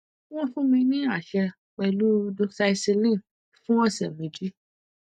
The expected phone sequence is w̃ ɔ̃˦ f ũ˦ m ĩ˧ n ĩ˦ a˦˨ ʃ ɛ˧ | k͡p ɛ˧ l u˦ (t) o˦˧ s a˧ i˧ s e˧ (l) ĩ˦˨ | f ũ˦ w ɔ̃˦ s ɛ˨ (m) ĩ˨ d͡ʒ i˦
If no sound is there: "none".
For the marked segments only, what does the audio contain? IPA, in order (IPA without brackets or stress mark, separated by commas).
d, l, m